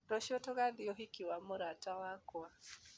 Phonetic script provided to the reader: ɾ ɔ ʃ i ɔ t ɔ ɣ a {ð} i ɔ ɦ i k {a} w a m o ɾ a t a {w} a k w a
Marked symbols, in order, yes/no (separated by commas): yes, no, yes